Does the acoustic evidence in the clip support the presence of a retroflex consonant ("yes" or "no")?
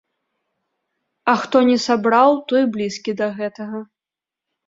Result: no